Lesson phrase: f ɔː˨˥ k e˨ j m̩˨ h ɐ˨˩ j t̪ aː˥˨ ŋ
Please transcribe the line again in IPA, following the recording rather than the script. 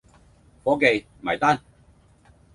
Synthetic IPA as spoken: f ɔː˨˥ k e˨ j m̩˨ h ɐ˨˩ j t̪ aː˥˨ n